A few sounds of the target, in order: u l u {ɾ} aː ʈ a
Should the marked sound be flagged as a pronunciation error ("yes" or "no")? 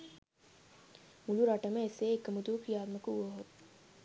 no